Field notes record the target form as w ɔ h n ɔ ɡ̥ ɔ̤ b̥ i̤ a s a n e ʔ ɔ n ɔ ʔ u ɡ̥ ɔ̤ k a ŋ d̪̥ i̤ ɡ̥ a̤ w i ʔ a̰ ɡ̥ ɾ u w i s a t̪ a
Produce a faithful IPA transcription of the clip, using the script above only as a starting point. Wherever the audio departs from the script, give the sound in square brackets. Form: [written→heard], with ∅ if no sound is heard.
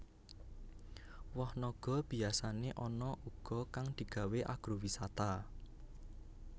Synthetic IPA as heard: w ɔ h n ɔ ɡ̥ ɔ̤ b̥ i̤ a s a n e ʔ ɔ n ɔ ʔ u ɡ̥ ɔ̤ k a ŋ d̪̥ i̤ ɡ̥ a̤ w [i→e] ʔ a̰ ɡ̥ ɾ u w i s a t̪ a